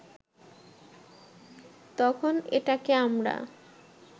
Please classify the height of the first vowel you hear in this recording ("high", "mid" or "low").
mid